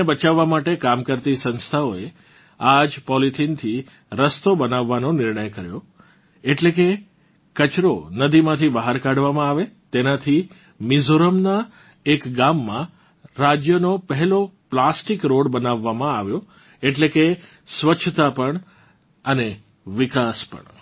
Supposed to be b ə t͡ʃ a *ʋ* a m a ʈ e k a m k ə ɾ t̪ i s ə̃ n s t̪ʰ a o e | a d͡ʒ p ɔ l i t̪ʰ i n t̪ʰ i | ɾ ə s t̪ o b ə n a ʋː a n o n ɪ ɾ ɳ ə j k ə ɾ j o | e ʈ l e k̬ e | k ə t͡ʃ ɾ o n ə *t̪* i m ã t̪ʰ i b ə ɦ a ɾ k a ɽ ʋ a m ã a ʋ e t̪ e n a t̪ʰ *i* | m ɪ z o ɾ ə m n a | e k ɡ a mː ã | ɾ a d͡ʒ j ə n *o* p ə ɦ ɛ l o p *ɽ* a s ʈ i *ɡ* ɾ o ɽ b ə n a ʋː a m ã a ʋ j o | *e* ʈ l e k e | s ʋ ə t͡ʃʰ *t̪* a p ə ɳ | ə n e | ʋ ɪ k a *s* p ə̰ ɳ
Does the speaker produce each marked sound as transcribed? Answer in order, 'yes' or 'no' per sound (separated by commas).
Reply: no, no, yes, yes, no, no, yes, yes, yes